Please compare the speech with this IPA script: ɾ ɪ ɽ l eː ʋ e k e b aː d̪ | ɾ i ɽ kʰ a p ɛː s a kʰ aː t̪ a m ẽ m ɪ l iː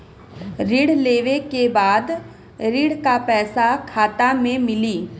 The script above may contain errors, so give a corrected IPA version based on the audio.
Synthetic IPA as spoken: ɾ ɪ ɽ l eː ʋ e k e b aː d̪ | ɾ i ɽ k a p ɛː s a kʰ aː t̪ a m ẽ m ɪ l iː